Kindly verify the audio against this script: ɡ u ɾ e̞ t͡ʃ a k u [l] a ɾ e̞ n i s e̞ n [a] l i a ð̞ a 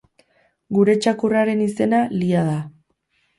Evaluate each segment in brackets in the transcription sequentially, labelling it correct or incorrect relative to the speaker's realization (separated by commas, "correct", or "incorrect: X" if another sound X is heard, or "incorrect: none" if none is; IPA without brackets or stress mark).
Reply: incorrect: r, correct